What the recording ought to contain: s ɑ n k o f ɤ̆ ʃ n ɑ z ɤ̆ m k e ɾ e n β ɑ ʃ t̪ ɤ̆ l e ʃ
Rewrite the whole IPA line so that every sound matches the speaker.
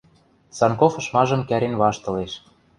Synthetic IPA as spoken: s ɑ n k o f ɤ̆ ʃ m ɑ ʒ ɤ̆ m k æ ɾ e n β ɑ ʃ t̪ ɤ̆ l e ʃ